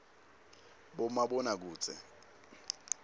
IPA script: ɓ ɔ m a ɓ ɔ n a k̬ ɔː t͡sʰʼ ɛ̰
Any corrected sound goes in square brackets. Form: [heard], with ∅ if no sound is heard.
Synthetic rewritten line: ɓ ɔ m a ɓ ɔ n a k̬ [uː] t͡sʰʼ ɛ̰